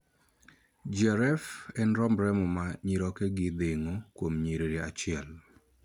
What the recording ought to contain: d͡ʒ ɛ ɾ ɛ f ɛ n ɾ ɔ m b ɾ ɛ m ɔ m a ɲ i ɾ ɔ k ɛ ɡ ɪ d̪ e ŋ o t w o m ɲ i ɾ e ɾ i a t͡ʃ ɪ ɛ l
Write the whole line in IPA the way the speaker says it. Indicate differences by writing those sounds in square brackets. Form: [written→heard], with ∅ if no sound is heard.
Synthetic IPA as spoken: d͡ʒ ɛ ɾ ɛ f ɛ n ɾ ɔ m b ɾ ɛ m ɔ m a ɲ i ɾ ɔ k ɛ ɡ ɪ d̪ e ŋ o [t→k] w o m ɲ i ɾ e ɾ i a t͡ʃ ɪ ɛ l

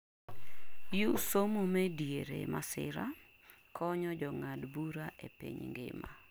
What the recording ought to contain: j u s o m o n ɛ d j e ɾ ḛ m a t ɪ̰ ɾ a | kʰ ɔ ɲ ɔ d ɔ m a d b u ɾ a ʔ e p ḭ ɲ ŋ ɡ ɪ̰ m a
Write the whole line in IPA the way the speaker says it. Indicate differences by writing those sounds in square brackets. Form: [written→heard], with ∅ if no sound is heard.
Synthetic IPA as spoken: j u s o m o [n→m] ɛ d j e ɾ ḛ m a [t→s] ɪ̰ ɾ a | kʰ ɔ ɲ ɔ [d→d͡ʒ] ɔ [m→ŋ] a d b u ɾ a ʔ e p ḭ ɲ ŋ ɡ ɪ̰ m a

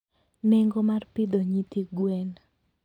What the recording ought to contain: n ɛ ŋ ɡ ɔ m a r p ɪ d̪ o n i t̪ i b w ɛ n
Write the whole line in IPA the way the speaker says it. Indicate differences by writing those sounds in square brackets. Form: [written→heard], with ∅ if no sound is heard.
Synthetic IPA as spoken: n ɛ ŋ ɡ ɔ m a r p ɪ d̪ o [n→ɲ] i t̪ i [b→ɡ] w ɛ n

